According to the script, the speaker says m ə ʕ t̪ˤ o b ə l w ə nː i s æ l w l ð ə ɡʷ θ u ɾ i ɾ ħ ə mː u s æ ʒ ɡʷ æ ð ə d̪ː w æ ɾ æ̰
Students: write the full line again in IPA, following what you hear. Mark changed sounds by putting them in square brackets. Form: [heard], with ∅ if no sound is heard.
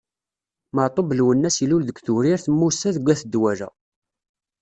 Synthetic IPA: m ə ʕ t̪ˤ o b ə l w ə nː [æ] s [i] l [u] l ð ə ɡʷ θ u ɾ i ɾ [θ] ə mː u s æ [ð] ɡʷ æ [θ] ə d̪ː w æ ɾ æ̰